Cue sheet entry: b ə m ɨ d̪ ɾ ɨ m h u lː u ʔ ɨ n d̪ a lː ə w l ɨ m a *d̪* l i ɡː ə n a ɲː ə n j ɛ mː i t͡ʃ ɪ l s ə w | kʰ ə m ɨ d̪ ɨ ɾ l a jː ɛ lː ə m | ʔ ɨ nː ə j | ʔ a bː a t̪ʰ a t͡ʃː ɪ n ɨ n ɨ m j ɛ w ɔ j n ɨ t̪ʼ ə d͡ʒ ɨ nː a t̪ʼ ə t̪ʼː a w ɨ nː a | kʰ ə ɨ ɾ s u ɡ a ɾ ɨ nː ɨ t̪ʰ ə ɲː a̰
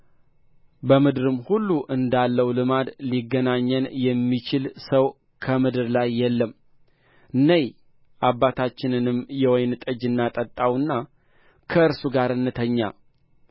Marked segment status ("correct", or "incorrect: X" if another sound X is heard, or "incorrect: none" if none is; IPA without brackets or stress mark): correct